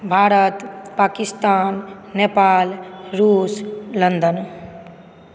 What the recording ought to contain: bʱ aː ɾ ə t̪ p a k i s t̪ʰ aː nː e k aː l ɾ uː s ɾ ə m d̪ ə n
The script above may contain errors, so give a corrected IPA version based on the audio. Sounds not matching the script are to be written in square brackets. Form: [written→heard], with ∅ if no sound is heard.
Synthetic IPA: bʱ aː ɾ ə t̪ p a k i s [t̪ʰ→t̪] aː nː e [k→p] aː l ɾ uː s [ɾ→l] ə [m→n] d̪ ə n